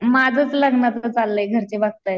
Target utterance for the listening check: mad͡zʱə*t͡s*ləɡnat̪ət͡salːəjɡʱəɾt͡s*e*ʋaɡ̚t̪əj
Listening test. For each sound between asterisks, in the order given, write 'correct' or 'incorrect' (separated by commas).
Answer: correct, correct